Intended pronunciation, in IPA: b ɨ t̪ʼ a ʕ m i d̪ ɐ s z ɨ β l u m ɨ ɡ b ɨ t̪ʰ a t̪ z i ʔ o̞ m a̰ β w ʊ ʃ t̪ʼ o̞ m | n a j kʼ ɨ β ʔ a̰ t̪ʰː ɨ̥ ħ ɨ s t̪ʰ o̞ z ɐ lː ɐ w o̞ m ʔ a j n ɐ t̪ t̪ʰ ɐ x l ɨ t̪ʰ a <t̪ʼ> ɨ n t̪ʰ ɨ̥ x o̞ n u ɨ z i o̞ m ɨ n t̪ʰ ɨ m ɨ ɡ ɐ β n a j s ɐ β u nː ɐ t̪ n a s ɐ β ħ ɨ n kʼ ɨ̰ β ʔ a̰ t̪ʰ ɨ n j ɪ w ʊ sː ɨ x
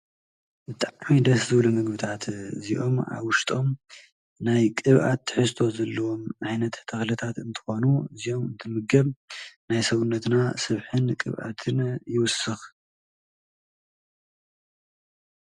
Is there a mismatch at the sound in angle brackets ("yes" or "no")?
yes